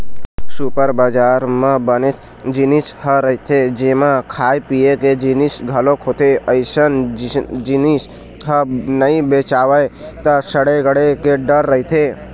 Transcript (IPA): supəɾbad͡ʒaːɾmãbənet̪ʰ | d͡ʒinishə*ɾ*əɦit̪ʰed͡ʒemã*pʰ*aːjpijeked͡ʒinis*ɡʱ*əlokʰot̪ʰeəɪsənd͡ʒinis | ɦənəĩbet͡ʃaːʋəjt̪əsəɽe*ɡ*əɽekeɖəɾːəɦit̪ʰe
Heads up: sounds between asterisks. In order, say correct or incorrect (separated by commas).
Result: correct, incorrect, correct, correct